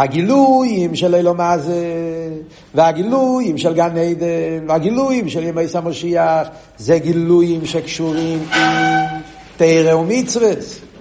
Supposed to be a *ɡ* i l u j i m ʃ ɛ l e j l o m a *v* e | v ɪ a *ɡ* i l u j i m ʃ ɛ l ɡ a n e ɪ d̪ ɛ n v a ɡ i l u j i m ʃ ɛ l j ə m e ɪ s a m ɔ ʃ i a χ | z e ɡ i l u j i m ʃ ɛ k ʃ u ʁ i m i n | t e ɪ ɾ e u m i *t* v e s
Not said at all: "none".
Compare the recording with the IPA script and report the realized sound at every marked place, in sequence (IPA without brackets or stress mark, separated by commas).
ɡ, z, ɡ, t͡s